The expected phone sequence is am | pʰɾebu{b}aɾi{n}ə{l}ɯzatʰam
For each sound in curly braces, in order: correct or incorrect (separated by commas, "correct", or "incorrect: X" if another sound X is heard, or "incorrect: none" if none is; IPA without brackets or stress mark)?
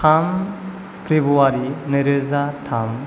incorrect: none, correct, incorrect: ɾ